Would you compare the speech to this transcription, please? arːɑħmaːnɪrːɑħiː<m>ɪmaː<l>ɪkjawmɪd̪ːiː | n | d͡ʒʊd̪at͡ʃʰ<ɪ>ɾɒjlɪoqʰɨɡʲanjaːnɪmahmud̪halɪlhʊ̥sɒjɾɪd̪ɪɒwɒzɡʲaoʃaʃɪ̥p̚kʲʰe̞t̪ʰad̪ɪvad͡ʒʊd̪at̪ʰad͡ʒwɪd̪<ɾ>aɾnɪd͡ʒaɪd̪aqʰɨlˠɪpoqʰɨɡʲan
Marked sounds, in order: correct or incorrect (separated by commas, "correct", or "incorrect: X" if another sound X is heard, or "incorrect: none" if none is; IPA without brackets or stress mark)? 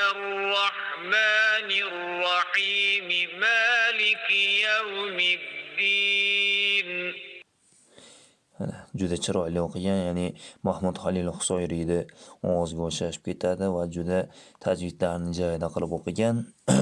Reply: correct, correct, correct, incorrect: l